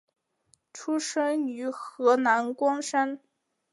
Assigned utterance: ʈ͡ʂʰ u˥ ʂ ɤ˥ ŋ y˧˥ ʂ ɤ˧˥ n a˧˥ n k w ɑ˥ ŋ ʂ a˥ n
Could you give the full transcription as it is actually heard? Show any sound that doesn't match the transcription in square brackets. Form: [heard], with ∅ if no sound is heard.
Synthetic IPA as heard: ʈ͡ʂʰ u˥ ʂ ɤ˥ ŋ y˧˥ [x] ɤ˧˥ n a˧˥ n k w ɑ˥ ŋ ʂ a˥ n